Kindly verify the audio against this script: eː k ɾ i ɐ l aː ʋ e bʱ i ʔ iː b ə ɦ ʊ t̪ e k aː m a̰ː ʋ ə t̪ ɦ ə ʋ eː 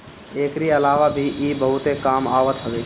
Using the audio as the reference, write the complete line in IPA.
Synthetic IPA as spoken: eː k ɾ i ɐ l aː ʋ a bʱ i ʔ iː b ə ɦ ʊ t̪ e k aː m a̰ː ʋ ə t̪ ɦ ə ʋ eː